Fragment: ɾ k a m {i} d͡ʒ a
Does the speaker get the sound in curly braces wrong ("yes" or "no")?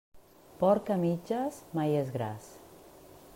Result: no